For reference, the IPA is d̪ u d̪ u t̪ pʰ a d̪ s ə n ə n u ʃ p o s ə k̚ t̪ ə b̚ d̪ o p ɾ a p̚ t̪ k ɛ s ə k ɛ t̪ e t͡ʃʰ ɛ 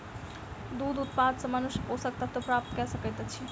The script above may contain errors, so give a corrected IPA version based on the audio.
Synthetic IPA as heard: d̪ u d̪ u t̪ p a d̪ s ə m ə n u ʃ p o s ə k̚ t̪ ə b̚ t̪ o p ɾ a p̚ t̪ k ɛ s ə k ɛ t̪ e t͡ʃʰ i